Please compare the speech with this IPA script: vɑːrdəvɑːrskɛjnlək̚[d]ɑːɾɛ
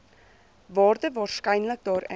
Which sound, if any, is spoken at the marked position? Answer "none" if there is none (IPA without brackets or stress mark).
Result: d